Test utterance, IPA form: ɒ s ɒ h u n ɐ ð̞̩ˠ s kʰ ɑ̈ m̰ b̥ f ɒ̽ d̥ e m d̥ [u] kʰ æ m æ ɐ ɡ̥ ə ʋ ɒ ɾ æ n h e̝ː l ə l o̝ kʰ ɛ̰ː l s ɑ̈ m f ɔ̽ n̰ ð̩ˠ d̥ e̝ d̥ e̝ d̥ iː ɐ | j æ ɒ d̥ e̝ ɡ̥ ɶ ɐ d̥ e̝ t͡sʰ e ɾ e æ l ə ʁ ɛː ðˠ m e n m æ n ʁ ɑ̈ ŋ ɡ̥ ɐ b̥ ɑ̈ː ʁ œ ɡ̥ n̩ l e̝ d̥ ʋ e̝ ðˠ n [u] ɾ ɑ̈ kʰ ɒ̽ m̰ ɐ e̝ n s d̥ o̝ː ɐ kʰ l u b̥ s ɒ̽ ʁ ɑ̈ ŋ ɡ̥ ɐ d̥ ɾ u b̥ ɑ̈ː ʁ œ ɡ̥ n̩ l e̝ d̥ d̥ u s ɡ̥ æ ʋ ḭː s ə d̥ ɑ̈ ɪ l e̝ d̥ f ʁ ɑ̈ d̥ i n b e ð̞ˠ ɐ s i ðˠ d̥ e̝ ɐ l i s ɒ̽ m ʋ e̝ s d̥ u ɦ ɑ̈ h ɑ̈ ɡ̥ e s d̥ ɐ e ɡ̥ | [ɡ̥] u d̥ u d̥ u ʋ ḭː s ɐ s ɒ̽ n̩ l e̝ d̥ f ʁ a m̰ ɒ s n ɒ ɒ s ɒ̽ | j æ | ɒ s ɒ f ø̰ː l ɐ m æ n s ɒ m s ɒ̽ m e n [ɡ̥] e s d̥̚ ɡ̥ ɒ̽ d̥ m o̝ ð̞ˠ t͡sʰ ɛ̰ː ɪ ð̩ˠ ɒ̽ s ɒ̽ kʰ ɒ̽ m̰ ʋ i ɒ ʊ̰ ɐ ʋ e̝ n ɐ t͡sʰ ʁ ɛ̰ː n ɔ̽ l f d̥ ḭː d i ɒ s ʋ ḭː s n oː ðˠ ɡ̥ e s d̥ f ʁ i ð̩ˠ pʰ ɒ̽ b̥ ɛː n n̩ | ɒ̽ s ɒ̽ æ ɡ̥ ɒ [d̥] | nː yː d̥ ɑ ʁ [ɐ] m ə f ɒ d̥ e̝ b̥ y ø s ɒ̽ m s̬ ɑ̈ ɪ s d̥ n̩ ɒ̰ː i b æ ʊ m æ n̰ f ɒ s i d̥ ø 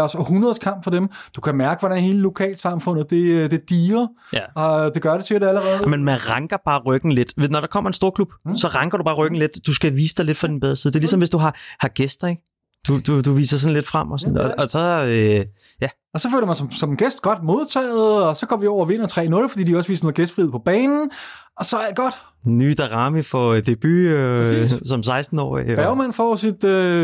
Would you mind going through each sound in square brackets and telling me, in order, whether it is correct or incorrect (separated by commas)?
correct, incorrect, incorrect, correct, correct, incorrect